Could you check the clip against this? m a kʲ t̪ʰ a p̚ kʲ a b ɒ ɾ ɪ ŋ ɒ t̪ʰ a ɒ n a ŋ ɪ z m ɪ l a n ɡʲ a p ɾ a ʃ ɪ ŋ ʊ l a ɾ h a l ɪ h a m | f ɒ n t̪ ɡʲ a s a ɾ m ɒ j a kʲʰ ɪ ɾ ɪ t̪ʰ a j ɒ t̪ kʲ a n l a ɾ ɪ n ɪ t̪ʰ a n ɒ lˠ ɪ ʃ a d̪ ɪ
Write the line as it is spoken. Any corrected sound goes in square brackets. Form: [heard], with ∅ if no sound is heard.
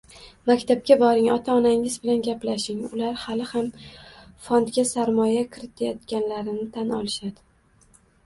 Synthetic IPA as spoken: m a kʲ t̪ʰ a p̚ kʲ a b ɒ ɾ ɪ ŋ ɒ t̪ʰ a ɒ n a ŋ ɪ z [b] ɪ l a n ɡʲ a p [l] a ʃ ɪ ŋ ʊ l a ɾ h a l ɪ h a m | f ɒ n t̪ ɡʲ a s a ɾ m ɒ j a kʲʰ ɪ ɾ ɪ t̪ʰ a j ɒ t̪ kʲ a n l a ɾ ɪ n ɪ t̪ʰ a n ɒ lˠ ɪ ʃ a d̪ ɪ